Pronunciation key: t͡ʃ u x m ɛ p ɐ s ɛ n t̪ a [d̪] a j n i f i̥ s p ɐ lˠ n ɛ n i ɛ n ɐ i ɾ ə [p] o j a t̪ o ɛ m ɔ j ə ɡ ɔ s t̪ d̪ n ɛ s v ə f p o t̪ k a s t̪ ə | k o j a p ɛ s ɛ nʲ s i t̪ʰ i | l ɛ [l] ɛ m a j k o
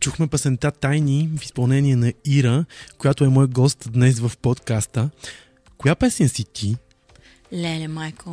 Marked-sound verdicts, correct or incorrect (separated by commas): incorrect, incorrect, correct